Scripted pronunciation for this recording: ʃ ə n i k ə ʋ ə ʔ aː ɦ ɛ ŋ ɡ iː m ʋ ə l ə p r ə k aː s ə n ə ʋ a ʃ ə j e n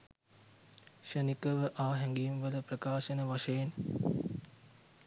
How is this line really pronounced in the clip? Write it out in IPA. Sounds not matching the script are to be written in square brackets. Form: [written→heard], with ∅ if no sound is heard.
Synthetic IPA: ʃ ə n i k ə ʋ ə ʔ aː ɦ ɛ ŋ ɡ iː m ʋ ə l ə p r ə k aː [s→ʃ] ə n ə ʋ a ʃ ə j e n